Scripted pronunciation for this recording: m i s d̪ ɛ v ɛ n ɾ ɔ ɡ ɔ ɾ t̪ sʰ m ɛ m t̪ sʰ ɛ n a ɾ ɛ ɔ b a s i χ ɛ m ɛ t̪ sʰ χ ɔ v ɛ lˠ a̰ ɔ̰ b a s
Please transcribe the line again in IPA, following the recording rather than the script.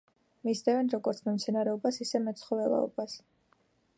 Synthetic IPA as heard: m i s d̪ ɛ v ɛ n ɾ ɔ ɡ ɔ ɾ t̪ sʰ m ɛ m t̪ sʰ ɛ n a ɾ ɛ ɔ b a s i s ɛ m ɛ t̪ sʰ χ ɔ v ɛ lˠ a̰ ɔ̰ b a s